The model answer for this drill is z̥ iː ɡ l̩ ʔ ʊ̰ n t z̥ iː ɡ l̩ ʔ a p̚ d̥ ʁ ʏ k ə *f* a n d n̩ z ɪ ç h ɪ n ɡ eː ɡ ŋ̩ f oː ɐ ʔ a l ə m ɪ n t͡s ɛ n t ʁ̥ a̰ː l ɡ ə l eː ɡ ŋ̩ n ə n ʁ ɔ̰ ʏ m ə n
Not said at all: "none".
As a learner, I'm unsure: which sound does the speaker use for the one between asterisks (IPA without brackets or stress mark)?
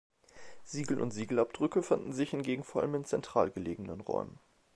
f